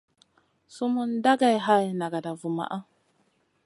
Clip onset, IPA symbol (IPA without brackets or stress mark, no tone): s